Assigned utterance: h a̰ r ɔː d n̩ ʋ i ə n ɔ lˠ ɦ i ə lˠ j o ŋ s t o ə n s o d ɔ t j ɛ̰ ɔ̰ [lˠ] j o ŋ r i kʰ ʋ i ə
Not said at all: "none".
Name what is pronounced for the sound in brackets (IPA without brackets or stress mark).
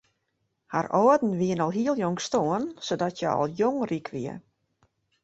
lˠ